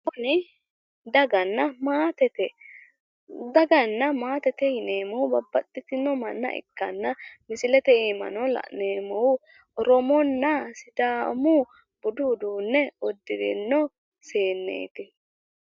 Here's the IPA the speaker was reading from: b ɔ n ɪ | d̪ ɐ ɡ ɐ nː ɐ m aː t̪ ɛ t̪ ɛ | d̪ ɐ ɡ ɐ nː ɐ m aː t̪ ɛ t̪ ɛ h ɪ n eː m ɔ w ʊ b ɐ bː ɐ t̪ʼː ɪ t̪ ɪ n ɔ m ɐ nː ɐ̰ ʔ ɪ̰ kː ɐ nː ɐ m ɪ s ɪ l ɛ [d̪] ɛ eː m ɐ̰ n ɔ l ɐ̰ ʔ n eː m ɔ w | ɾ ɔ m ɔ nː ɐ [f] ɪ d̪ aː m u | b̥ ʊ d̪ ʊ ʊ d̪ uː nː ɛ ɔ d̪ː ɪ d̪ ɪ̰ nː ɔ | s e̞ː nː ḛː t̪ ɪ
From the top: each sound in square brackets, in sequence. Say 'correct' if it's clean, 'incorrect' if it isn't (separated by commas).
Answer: incorrect, incorrect